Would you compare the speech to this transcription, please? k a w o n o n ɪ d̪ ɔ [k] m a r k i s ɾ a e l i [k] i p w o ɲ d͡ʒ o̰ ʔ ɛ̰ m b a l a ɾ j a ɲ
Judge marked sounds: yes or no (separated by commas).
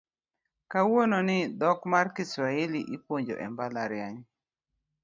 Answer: yes, no